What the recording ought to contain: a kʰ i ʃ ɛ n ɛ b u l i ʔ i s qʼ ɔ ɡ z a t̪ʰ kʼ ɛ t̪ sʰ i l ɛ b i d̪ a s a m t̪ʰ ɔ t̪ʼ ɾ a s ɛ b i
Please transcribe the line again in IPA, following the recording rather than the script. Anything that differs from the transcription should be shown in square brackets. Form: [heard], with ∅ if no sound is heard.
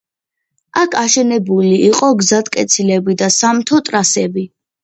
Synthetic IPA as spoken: a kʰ [a] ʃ ɛ n ɛ b u l i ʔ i [∅] qʼ ɔ ɡ z a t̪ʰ kʼ ɛ t̪ sʰ i l ɛ b i d̪ a s a m t̪ʰ ɔ t̪ʼ ɾ a s ɛ b i